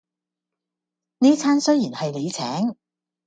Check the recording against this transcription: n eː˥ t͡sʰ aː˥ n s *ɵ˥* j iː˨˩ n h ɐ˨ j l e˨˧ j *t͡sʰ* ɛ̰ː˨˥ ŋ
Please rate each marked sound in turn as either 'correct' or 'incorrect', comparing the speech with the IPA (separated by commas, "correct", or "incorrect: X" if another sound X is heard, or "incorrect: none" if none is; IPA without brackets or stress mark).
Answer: correct, correct